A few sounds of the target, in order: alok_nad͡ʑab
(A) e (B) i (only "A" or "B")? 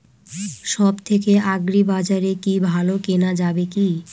A